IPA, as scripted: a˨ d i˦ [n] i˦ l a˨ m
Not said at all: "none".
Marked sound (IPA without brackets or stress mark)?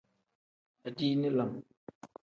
n